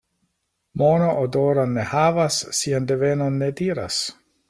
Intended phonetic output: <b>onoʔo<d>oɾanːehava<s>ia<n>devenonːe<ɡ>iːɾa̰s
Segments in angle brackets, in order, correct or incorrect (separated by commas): incorrect, correct, incorrect, correct, incorrect